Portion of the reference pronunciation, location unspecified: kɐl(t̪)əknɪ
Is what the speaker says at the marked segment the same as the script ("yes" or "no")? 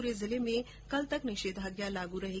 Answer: yes